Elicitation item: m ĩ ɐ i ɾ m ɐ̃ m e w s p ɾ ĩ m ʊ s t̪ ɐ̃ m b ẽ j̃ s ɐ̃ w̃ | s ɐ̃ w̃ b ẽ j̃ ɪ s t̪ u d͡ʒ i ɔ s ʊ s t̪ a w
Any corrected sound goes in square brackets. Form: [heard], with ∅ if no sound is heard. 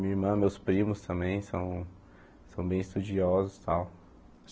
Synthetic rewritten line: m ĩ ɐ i ɾ m ɐ̃ m e w s p ɾ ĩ m ʊ s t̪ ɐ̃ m b ẽ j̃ s ɐ̃ w̃ | s ɐ̃ w̃ b ẽ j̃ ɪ s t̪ u d͡ʒ i ɔ [z] ʊ s t̪ a w